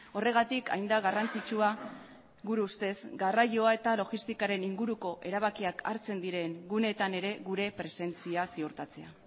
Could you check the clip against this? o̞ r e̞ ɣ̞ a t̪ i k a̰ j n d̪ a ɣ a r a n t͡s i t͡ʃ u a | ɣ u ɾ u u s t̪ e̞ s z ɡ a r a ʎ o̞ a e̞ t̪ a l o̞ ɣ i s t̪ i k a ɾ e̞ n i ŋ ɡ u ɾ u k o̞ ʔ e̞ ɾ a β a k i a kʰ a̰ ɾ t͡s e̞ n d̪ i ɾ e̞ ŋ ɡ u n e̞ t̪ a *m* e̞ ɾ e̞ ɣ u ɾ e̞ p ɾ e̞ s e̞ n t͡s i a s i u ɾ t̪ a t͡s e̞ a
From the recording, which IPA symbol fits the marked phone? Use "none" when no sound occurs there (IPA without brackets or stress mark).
n